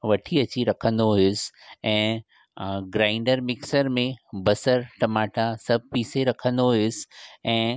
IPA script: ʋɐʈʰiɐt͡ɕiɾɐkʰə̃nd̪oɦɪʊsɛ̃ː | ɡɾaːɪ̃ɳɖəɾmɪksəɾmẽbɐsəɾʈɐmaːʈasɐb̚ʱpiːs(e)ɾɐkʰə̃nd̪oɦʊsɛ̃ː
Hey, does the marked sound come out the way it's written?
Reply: yes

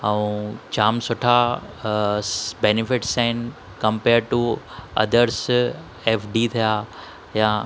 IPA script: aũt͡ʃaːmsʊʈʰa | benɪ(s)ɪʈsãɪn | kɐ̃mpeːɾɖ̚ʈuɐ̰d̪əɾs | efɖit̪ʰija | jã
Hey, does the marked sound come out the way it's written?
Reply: no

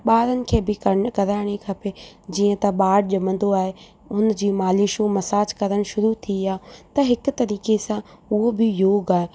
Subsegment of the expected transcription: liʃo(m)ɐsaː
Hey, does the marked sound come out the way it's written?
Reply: yes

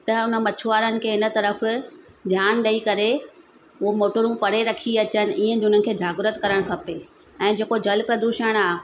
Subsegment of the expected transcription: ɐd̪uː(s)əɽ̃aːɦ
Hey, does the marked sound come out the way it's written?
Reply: no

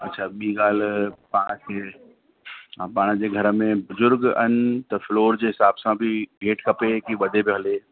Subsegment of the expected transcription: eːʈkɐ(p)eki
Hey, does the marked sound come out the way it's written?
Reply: yes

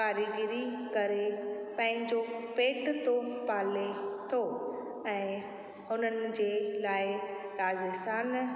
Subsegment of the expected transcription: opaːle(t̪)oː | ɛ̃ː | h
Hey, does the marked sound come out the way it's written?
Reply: no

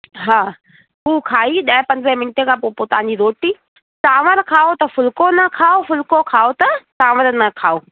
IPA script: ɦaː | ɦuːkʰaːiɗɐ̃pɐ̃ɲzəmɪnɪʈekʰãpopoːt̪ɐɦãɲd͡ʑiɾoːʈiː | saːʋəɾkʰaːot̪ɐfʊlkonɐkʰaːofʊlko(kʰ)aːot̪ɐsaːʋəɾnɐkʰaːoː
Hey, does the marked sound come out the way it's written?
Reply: yes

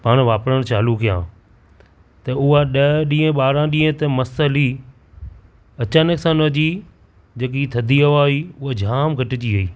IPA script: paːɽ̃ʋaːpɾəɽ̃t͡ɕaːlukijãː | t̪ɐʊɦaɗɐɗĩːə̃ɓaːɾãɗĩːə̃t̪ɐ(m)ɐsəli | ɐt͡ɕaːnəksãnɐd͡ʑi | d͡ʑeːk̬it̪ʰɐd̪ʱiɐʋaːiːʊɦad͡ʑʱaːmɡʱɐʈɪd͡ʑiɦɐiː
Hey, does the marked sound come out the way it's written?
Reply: yes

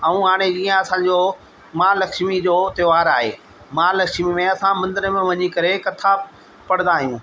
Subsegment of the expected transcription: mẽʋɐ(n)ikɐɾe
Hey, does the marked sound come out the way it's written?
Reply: no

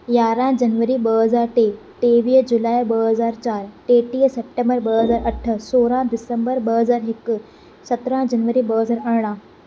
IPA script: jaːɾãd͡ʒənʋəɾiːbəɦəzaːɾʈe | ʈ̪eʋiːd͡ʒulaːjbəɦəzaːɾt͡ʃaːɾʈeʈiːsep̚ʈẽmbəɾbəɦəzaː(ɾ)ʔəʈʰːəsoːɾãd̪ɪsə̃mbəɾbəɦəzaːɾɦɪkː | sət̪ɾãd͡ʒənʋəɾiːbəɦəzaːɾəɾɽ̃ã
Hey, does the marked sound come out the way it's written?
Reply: yes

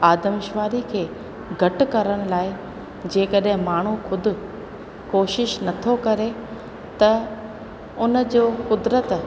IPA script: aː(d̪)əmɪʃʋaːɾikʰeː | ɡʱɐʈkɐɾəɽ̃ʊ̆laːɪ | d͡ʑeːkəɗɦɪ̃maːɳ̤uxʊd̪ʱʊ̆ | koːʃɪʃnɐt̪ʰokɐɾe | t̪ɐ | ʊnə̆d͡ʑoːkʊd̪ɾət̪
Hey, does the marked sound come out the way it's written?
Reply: yes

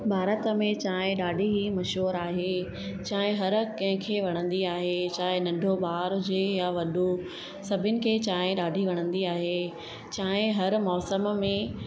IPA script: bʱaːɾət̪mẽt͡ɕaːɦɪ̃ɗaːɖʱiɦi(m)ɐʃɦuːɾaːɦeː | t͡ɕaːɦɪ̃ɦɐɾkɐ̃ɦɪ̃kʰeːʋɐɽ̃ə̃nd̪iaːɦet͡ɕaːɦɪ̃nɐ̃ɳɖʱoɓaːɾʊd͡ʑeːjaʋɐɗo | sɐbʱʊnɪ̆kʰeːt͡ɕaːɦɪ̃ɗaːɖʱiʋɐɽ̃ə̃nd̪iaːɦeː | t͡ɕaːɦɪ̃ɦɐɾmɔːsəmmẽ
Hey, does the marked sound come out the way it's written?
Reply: yes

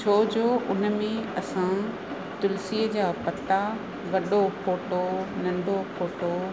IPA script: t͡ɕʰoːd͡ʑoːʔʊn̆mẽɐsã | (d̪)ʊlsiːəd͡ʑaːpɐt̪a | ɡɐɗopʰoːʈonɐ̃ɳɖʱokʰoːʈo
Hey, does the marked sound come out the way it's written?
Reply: no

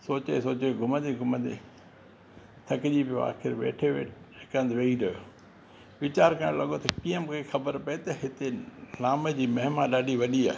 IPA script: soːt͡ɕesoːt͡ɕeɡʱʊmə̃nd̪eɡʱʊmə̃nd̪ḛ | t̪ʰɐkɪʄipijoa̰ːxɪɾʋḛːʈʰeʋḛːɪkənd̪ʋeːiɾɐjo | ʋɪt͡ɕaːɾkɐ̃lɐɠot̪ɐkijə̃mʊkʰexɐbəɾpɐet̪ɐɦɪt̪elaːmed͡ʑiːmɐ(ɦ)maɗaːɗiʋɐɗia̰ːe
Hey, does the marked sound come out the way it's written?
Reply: yes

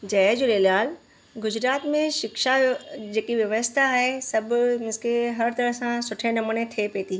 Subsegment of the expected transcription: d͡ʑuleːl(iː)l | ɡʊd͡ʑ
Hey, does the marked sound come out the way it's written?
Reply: no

